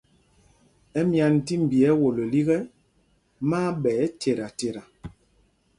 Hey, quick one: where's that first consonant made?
lips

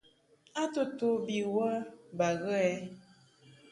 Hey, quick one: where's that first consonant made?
tongue tip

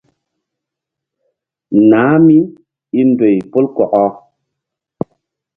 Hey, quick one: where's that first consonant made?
tongue tip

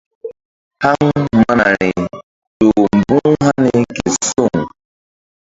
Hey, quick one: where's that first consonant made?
throat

